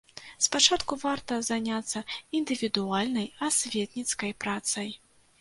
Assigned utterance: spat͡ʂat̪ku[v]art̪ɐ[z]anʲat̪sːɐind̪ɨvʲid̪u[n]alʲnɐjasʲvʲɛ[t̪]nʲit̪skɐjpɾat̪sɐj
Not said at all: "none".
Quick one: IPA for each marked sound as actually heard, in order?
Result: v, z, none, t̪

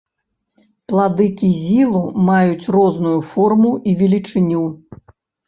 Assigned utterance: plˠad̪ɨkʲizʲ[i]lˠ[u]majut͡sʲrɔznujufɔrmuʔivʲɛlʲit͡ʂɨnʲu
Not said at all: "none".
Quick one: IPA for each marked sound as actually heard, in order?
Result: i, u

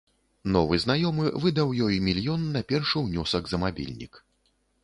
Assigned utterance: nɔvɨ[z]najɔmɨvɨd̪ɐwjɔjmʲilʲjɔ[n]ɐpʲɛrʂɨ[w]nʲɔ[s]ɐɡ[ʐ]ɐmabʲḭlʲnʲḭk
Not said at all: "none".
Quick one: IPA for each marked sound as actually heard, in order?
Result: z, nː, w, s, z

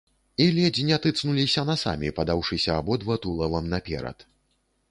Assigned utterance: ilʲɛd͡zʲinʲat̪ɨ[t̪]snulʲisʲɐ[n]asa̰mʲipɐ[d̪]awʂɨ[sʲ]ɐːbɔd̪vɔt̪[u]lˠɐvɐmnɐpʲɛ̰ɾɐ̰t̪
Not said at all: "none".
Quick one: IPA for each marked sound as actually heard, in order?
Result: t̪, n, d̪, sʲ, u

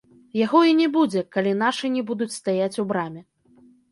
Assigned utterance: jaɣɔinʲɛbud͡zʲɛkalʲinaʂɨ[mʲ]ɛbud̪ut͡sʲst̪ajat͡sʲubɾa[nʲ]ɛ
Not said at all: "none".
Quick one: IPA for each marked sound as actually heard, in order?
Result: nʲ, mʲ

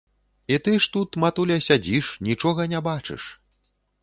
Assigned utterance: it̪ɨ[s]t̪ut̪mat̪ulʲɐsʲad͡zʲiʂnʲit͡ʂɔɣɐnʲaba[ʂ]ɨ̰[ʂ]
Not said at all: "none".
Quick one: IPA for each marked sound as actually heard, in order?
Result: ʂ, t͡ʂ, ʂ

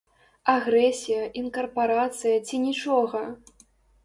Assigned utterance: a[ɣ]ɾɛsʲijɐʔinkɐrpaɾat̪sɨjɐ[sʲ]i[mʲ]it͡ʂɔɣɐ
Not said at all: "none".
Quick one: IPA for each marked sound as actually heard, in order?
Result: ɣ, t͡sʲ, nʲ

